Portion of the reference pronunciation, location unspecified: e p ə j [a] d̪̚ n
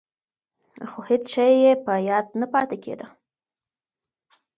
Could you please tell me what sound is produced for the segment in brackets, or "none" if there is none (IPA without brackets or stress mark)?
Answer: ɑ